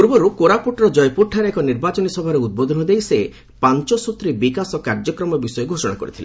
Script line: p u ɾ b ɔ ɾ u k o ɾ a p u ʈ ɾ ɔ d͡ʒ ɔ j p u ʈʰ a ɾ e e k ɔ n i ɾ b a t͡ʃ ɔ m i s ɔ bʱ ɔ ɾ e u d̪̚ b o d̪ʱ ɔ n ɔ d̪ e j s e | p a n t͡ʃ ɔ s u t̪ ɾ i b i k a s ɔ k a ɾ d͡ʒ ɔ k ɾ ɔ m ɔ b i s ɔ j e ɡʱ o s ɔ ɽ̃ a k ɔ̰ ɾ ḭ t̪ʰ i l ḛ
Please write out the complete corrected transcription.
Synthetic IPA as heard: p u ɾ b ɔ ɾ u k o ɾ a p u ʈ ɾ ɔ d͡ʒ ɔ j p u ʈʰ a ɾ e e k ɔ n i ɾ b a t͡ʃ ɔ n i s ɔ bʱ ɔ ɾ e u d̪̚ b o d̪ʱ ɔ n ɔ d̪ e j s e | p a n t͡ʃ ɔ s u t̪ ɾ i b i k a s ɔ k a ɾ d͡ʒ ɔ k ɾ ɔ m ɔ b i s ɔ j e ɡʱ o s ɔ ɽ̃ a k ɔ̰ ɾ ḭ t̪ʰ i l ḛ